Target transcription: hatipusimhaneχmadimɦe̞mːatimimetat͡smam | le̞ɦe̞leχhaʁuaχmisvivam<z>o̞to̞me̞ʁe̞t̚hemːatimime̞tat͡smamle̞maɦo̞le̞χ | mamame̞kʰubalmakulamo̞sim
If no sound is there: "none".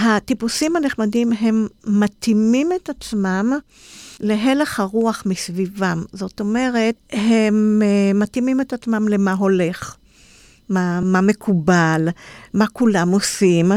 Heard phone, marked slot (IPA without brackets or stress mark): z